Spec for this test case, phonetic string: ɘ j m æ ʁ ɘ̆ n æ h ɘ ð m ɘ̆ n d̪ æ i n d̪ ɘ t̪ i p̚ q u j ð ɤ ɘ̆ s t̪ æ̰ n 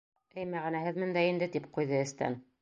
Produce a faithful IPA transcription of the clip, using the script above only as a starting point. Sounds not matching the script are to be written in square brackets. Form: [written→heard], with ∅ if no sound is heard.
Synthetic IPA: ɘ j m æ ʁ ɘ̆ n æ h ɘ ð m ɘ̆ n d̪ æ i n d̪ ɘ t̪ i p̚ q u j ð ɤ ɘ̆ s t̪ æ̰ n

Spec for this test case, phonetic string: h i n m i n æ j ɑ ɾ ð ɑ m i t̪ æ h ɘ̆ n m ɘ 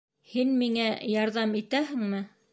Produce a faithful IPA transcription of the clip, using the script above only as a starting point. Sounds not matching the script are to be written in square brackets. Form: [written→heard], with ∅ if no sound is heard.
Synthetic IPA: h i n m i [n→ŋ] æ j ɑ ɾ ð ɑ m i t̪ æ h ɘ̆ [n→ŋ] m ɘ

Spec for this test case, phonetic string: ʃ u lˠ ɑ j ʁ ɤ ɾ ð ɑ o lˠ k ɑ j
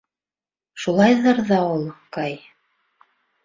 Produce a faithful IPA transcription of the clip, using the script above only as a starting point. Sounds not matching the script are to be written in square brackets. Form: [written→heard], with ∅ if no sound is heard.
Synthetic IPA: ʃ u lˠ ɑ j [ʁ→ð] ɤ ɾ ð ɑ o lˠ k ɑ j

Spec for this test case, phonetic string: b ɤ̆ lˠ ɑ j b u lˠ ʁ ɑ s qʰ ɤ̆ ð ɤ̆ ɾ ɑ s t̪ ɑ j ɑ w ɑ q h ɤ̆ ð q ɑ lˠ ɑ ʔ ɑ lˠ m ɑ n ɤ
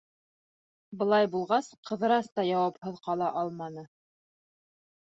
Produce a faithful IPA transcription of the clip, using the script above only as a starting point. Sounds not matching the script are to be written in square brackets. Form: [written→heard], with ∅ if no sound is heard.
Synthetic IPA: b ɤ̆ lˠ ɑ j b u lˠ ʁ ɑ s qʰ ɤ̆ ð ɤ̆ ɾ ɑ s t̪ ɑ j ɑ w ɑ [q→p] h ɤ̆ ð q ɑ lˠ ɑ ʔ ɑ lˠ m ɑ n ɤ

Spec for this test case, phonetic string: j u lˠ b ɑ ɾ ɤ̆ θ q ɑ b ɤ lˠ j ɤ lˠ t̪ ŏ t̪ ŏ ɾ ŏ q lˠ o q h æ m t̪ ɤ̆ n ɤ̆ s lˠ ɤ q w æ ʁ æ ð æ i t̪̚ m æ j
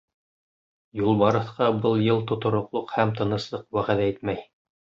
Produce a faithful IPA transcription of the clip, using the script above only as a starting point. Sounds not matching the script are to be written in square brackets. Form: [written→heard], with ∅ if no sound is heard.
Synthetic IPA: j u lˠ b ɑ ɾ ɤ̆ θ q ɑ b ɤ lˠ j ɤ lˠ t̪ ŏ t̪ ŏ ɾ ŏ q lˠ o q h æ m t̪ ɤ̆ n ɤ̆ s lˠ ɤ q w æ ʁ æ ð æ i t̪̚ m æ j

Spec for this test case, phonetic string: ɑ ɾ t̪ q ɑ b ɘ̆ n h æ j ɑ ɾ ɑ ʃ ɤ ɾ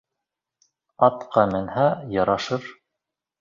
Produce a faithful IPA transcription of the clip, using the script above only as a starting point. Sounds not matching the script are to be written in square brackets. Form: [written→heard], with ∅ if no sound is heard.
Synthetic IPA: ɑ [ɾ→∅] t̪ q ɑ [b→m] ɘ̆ n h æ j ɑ ɾ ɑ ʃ ɤ ɾ

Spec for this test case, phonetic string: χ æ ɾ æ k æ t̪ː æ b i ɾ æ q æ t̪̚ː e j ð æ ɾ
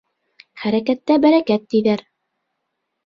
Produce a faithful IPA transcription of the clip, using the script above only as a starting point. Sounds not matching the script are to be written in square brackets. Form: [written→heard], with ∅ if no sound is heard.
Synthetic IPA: χ æ ɾ æ k æ t̪ː æ b [i→æ] ɾ æ [q→k] æ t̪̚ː [e→i] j ð æ ɾ

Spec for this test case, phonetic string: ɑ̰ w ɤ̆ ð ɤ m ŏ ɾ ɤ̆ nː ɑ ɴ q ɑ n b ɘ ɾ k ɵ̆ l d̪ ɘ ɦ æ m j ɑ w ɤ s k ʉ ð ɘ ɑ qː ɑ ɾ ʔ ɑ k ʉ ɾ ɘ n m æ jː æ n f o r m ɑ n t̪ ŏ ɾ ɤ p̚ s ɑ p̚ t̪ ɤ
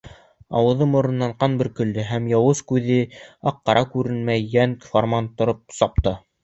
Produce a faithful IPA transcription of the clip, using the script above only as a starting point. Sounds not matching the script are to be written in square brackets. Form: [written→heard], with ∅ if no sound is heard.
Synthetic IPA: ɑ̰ w ɤ̆ ð ɤ m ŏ ɾ ɤ̆ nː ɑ ɴ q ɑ n b ɘ ɾ k ɵ̆ l d̪ ɘ ɦ æ m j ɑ w ɤ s k ʉ ð ɘ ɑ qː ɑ ɾ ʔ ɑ k ʉ ɾ ɘ n m æ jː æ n f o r m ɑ n t̪ ŏ ɾ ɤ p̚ s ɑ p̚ t̪ ɤ

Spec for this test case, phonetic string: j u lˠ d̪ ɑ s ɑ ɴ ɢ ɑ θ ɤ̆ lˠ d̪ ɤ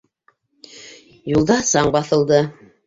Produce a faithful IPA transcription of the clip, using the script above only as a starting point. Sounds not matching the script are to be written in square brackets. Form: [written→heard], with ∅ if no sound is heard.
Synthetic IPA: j u lˠ d̪ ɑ s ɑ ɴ [ɢ→b] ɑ θ ɤ̆ lˠ d̪ ɤ

